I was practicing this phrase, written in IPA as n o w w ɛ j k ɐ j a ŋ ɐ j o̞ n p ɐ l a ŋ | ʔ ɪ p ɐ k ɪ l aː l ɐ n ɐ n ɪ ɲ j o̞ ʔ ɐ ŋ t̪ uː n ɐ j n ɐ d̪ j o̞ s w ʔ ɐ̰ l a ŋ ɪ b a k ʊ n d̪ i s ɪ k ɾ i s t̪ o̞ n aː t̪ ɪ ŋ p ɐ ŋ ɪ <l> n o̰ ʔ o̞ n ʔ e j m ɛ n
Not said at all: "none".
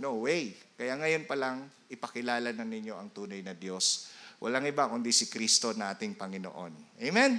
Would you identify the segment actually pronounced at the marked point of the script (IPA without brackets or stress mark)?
none